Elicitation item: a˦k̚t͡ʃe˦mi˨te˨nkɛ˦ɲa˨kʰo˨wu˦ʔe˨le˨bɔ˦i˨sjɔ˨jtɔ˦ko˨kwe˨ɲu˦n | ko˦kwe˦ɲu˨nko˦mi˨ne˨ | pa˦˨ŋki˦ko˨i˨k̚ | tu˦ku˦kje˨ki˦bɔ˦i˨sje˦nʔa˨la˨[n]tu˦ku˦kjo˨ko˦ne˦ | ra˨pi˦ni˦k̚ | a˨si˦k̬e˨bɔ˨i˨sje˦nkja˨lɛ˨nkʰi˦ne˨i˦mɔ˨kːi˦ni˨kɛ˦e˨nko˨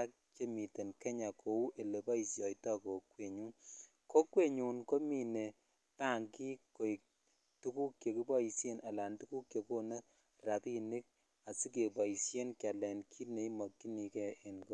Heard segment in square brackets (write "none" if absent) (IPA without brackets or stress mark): n